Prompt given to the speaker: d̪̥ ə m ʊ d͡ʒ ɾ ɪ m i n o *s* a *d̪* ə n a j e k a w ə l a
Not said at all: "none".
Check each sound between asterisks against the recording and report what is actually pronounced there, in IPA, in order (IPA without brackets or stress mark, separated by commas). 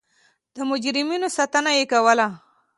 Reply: s, t̪